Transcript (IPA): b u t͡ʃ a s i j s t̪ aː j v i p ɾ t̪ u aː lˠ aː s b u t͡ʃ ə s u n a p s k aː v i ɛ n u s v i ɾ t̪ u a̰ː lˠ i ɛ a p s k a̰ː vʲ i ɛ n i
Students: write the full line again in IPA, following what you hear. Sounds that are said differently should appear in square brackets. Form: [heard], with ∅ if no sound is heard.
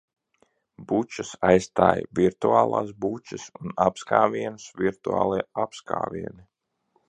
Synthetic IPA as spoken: b u t͡ʃ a s [a] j s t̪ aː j v i [∅] ɾ t̪ u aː lˠ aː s b u t͡ʃ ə s u n a p s k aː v i ɛ n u s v i ɾ t̪ u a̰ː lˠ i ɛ a p s k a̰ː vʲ i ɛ n i